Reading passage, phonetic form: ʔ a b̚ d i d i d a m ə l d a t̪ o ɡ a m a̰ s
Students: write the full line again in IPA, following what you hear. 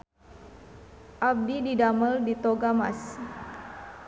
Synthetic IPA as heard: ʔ a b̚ d i d i d a m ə l d i t̪ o ɡ a m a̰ s